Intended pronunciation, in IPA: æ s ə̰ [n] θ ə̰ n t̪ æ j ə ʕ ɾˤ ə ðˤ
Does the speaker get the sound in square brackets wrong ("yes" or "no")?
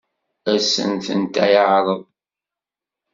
no